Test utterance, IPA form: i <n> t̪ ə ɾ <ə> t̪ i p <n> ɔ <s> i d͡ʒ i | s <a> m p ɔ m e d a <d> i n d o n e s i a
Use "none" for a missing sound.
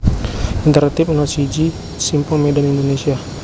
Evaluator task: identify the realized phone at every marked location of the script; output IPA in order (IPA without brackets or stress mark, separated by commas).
n, a, n, s, i, n